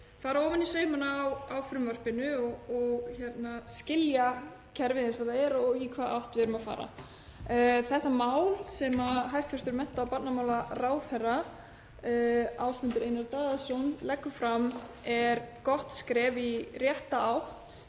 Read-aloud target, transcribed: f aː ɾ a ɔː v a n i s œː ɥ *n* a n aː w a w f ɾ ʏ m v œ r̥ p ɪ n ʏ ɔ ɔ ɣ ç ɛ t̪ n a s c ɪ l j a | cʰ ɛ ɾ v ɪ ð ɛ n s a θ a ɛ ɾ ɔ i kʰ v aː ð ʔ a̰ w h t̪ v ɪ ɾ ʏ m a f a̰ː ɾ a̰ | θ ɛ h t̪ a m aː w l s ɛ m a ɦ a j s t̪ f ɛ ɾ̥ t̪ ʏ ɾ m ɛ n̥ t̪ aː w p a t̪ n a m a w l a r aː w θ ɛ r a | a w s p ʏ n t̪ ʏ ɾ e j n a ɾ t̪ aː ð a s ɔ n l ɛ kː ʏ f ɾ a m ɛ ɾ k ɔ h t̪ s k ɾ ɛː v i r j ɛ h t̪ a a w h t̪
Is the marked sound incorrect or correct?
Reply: incorrect